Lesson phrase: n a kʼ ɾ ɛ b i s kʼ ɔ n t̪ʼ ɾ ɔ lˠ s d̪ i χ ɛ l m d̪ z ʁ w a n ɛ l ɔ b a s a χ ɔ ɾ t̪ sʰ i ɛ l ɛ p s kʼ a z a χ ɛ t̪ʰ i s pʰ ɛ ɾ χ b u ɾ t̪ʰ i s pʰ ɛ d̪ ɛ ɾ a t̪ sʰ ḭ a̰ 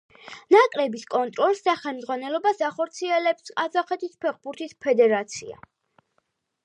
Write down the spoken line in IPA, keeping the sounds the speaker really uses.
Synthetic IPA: n a kʼ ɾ ɛ b i s kʼ ɔ n t̪ʼ ɾ ɔ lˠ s d̪ a χ ɛ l m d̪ z ʁ w a n ɛ l ɔ b a s a χ ɔ ɾ t̪ sʰ i ɛ l ɛ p s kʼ a z a χ ɛ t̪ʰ i s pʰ ɛ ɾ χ b u ɾ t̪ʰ i s pʰ ɛ d̪ ɛ ɾ a t̪ sʰ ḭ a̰